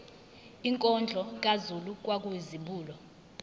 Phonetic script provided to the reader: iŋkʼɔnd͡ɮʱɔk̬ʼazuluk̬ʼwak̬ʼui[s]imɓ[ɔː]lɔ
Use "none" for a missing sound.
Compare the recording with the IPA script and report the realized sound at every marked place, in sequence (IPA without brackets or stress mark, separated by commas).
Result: z, uː